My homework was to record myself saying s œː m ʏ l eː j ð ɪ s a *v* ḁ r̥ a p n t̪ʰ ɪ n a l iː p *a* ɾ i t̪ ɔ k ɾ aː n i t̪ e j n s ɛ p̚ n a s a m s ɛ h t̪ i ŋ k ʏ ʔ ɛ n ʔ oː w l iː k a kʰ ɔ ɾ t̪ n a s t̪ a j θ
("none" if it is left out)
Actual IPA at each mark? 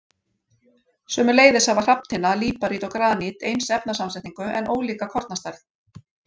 v, a

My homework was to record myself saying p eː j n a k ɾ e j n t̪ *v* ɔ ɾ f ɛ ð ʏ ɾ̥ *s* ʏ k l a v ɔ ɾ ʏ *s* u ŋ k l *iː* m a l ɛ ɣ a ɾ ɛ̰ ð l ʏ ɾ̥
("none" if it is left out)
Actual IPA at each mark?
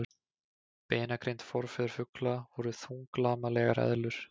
f, f, θ, aː

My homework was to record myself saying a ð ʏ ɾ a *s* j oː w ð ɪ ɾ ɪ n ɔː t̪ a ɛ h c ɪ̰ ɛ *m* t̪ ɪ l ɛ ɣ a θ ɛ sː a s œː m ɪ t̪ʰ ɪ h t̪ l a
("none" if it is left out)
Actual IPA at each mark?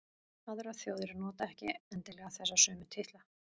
θ, n

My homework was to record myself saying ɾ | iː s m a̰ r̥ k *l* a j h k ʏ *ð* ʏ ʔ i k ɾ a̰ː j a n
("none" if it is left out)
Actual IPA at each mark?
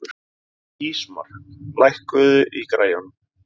l, ð

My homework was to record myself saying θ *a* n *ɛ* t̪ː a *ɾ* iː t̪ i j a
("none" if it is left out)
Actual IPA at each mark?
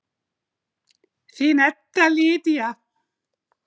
i, ɛ, l

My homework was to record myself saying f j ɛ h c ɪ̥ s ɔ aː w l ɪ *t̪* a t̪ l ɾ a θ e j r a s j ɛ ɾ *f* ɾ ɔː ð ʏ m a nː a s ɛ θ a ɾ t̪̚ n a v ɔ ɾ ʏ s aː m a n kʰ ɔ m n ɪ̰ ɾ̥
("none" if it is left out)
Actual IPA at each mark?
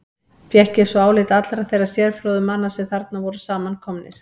t̪, f

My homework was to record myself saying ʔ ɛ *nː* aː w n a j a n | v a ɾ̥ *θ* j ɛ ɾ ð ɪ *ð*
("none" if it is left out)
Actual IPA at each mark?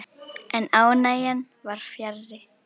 n, f, none

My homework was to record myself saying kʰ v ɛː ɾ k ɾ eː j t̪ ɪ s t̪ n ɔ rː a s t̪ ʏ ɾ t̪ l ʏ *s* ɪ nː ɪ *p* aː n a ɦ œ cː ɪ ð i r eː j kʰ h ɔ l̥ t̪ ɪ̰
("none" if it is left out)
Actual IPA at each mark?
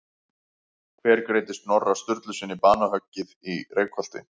s, p

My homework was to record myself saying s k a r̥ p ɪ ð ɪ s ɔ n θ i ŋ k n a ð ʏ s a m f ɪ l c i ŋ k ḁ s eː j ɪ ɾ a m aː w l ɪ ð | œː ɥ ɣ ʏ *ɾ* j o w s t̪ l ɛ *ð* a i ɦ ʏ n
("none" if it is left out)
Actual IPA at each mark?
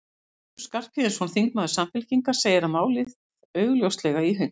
l, ɣ

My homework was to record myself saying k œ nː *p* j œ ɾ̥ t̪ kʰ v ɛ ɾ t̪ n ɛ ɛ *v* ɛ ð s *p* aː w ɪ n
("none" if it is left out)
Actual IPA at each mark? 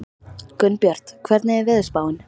p, v, p

